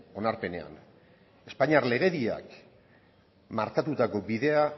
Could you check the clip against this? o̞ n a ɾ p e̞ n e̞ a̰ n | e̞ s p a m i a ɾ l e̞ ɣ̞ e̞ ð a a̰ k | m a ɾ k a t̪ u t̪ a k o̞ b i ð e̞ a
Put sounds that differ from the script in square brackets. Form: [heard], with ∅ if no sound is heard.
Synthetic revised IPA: o̞ n a ɾ p e̞ n e̞ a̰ n | e̞ s p a [ɲ] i a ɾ l e̞ ɣ̞ e̞ ð [i] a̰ k | m a ɾ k a t̪ u t̪ a k o̞ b i ð e̞ a